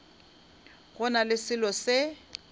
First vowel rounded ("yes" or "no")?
yes